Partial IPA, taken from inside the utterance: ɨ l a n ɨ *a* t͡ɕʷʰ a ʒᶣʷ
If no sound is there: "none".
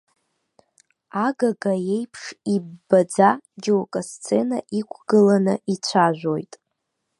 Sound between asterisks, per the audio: i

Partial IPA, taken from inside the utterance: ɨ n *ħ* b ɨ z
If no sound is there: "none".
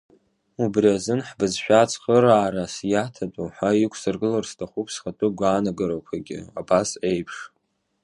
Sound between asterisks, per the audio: ħ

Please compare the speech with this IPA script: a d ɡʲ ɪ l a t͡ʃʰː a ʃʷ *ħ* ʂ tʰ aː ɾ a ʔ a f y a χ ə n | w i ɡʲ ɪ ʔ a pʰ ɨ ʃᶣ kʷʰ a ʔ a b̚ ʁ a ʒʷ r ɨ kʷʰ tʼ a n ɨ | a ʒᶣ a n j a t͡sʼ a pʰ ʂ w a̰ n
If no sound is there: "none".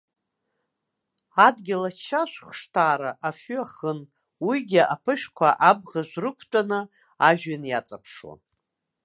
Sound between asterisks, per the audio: χ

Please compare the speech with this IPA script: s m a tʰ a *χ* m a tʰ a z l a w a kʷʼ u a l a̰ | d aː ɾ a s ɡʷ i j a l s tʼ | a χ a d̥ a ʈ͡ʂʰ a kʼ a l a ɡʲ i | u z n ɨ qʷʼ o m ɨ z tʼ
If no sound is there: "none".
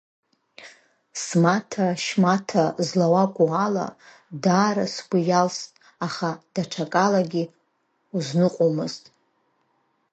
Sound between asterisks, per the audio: ʃ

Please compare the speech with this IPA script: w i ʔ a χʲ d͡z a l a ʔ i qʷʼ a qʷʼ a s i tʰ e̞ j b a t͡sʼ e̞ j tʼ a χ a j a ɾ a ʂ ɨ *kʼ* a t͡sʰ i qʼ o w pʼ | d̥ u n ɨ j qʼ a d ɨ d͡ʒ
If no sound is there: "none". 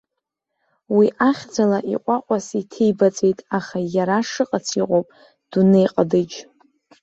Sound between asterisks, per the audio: qʼ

